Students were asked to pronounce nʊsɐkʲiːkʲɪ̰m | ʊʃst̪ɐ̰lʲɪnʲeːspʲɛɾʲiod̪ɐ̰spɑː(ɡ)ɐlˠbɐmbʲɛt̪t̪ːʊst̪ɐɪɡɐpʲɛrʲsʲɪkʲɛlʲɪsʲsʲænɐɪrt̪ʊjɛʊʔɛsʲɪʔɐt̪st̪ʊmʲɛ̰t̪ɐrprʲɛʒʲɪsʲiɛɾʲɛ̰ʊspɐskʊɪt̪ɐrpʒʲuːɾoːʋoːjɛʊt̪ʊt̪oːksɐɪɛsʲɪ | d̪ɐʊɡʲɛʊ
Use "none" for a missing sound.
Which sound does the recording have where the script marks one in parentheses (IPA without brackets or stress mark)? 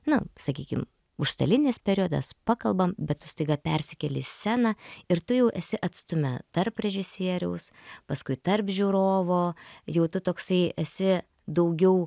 k